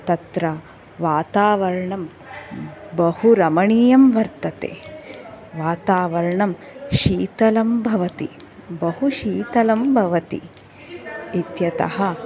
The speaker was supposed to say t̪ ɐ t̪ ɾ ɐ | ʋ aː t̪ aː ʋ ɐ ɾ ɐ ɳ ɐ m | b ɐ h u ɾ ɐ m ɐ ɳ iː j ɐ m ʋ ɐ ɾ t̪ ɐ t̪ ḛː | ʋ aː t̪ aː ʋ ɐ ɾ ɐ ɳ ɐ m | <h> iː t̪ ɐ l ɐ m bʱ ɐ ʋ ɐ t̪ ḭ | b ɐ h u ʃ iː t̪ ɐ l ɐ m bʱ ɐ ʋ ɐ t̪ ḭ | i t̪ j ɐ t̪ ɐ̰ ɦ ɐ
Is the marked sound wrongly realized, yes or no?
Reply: yes